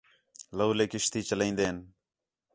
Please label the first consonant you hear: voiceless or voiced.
voiced